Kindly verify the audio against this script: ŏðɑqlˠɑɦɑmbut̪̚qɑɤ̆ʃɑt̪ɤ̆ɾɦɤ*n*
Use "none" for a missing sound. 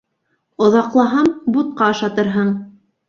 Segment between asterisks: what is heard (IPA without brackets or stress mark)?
ɴ